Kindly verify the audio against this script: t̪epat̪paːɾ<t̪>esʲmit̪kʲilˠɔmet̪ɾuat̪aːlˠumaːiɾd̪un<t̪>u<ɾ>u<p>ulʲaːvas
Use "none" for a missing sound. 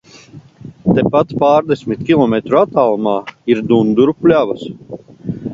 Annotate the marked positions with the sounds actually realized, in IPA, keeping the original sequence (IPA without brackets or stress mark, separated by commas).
d̪, d̪, ɾ, p